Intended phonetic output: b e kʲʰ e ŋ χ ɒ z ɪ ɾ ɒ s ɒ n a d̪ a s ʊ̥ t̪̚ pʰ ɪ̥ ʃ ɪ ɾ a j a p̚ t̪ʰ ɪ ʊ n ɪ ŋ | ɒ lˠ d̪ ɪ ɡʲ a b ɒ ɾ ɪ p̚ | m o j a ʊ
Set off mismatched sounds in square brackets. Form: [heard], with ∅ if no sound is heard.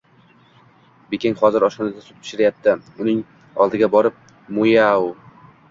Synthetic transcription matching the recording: b e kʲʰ e ŋ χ ɒ z ɪ ɾ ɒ [ʃ] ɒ n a d̪ a s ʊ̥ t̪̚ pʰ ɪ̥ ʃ ɪ ɾ a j a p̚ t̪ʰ ɪ ʊ n ɪ ŋ | ɒ lˠ d̪ ɪ ɡʲ a b ɒ ɾ ɪ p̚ | m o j a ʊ